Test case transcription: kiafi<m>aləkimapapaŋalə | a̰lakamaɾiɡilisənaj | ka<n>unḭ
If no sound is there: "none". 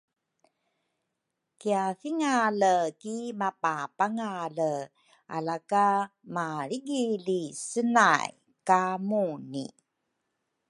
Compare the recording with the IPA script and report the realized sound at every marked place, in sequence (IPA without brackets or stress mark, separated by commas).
ŋ, m